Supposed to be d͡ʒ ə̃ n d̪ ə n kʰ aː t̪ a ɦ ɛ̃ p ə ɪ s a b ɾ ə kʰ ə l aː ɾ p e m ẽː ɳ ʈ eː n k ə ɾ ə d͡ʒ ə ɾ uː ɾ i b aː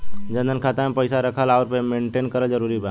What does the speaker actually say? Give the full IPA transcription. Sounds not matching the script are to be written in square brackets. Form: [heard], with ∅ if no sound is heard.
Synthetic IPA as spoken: d͡ʒ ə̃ n d̪ ə n kʰ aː t̪ a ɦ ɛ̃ p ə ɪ s a [∅] ɾ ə kʰ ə l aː ɾ p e m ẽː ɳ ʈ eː n k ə ɾ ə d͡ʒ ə ɾ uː ɾ i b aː